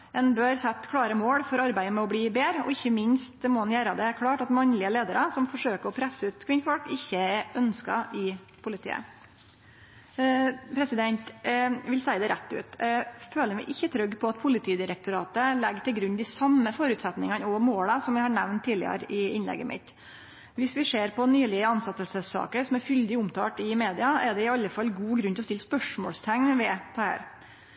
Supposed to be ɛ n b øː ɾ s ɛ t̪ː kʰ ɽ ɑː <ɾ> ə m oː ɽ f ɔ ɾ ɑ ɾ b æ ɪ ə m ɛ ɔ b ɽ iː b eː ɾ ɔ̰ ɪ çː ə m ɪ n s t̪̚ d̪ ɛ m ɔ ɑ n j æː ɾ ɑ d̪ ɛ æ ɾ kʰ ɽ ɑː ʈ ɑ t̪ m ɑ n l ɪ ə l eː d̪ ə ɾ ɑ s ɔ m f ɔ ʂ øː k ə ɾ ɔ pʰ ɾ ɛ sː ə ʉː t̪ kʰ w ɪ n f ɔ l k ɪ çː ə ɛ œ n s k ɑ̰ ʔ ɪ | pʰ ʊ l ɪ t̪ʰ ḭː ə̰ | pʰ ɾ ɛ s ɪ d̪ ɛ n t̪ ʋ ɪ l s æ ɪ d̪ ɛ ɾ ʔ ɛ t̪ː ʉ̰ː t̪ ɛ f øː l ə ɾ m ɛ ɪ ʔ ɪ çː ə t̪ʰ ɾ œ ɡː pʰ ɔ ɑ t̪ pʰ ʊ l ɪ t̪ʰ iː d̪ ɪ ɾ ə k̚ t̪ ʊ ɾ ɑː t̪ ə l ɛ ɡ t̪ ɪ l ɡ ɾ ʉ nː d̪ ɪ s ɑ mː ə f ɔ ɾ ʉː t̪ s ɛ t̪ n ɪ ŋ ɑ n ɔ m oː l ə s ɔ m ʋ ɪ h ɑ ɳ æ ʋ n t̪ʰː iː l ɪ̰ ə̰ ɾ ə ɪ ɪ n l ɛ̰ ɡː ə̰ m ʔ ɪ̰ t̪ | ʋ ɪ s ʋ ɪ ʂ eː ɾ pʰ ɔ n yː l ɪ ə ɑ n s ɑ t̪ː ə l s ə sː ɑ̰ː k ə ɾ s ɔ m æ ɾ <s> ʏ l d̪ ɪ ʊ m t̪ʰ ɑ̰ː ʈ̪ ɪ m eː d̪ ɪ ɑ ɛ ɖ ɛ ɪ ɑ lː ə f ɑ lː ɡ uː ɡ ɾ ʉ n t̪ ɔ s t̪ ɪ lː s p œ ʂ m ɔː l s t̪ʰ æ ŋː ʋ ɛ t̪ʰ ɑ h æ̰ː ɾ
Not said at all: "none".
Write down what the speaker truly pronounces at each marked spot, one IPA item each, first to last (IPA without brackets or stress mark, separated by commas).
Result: ɾ, f